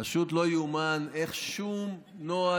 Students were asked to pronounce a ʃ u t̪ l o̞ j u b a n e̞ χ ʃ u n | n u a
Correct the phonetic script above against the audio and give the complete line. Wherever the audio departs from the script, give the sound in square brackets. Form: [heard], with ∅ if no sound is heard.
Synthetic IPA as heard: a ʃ u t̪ l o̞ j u [m] a n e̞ χ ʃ u [m] | n [o] a